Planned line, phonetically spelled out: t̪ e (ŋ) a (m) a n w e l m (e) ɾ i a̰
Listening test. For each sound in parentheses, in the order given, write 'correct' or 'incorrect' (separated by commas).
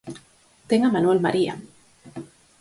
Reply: correct, correct, incorrect